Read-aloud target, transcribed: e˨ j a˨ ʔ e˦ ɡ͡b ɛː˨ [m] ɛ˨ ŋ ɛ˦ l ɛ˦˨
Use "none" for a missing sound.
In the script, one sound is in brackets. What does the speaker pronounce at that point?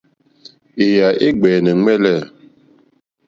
n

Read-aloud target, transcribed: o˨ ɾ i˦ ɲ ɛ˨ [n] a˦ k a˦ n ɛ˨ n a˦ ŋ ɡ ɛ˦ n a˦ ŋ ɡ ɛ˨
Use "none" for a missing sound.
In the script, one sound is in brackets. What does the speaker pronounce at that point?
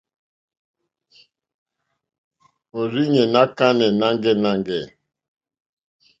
n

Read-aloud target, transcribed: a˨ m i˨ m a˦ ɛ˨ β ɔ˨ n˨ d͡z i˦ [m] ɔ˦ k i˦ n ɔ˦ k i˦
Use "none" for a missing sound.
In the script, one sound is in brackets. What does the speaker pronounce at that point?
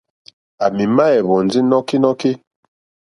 n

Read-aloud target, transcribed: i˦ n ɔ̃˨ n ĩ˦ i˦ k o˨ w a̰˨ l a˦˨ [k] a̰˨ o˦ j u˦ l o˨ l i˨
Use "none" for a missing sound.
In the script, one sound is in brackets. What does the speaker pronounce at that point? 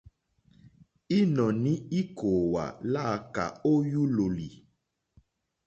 k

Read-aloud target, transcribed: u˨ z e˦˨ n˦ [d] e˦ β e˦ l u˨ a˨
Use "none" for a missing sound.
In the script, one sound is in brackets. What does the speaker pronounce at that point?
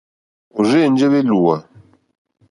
d͡ʒ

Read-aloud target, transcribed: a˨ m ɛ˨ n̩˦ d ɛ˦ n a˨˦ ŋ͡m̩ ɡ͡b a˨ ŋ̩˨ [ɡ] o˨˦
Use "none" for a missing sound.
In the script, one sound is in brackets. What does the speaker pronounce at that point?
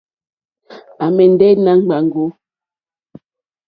ɡ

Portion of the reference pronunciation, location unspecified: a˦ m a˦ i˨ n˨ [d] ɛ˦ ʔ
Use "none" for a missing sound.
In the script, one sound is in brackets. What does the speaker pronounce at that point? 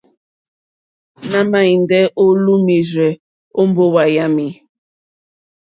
d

